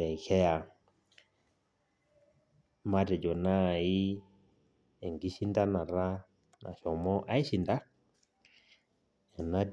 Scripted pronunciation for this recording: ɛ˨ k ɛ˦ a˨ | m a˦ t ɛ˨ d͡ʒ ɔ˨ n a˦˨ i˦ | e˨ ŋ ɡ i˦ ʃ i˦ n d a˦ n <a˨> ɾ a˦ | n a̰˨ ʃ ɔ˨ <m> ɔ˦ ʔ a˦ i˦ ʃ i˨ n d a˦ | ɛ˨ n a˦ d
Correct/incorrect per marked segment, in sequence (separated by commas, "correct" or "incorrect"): correct, correct